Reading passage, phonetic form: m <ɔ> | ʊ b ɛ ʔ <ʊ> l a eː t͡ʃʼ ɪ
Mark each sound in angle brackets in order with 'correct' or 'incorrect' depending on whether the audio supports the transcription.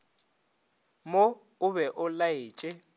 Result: incorrect: o, correct

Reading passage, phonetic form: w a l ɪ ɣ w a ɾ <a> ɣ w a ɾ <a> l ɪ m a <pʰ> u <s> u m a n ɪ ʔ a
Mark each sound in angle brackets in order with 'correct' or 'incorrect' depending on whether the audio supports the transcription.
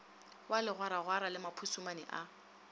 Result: correct, correct, correct, correct

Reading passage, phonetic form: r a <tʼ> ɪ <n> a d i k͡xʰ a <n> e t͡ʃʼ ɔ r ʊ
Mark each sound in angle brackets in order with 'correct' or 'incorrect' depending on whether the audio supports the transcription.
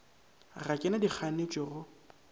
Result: incorrect: kʼ, correct, correct

